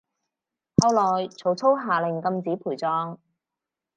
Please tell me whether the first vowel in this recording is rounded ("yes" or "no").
no